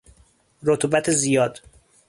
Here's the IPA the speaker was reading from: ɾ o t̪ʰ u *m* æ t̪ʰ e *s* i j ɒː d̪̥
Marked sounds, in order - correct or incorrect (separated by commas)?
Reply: incorrect, incorrect